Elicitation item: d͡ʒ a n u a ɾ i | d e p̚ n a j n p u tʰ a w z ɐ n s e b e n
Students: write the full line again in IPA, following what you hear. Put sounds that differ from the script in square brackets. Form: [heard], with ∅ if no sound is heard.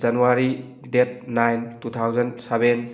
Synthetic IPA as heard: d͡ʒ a n u a ɾ i | d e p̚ n a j n [t] u tʰ a w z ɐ n s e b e n